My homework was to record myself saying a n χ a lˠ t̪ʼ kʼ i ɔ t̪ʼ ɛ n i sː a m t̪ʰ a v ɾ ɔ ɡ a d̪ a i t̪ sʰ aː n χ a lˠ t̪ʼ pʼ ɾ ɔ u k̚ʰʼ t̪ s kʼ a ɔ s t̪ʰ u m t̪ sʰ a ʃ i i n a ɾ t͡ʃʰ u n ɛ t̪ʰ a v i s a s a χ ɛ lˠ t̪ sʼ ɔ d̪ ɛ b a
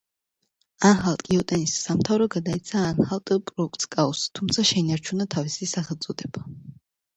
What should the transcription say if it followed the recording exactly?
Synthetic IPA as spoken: a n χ a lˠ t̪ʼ kʼ i ɔ t̪ʼ ɛ n i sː a m t̪ʰ a v ɾ ɔ ɡ a d̪ a i t̪ sʰ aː n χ a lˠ t̪ʼ pʼ ɾ ɔ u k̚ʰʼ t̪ s kʼ a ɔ s t̪ʰ u m t̪ sʰ a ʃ ɛ i n a ɾ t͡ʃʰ u n a t̪ʰ a v i s i s a χ ɛ lˠ t̪ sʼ ɔ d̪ ɛ b a